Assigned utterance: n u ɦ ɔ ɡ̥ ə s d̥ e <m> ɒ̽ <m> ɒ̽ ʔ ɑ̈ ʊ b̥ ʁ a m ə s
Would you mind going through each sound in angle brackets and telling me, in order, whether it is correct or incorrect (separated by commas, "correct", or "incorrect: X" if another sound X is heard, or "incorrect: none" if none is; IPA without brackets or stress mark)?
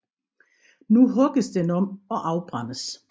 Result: incorrect: n, correct